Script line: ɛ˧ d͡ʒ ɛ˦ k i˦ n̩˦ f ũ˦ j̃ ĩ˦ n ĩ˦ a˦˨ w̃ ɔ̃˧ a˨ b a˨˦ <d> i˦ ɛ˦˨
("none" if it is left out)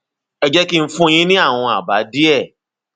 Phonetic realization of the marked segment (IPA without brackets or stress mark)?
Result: d